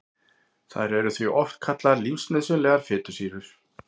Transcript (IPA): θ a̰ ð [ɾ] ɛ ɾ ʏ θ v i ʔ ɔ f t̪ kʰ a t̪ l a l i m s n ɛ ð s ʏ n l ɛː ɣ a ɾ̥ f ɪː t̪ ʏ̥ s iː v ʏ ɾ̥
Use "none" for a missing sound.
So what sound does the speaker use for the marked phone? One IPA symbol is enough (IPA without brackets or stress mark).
ɾ